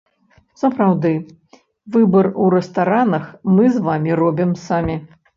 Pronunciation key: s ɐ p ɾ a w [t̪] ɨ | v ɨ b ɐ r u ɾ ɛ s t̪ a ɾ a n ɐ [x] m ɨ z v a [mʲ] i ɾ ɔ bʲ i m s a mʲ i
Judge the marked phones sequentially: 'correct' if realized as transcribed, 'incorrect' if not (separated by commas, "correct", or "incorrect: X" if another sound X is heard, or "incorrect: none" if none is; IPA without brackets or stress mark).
incorrect: d̪, correct, correct